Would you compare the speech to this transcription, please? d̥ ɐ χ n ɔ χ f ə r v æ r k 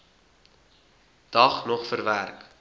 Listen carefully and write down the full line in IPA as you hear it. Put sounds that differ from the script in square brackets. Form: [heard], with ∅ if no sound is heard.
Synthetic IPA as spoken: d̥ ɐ χ n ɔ χ f ə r v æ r k